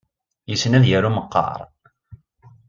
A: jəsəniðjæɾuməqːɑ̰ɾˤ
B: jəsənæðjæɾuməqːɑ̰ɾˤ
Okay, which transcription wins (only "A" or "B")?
B